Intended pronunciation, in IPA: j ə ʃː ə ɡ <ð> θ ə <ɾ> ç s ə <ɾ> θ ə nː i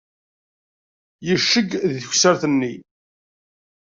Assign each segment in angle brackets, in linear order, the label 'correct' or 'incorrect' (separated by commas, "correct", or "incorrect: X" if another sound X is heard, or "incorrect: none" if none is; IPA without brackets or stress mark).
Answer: correct, incorrect: none, correct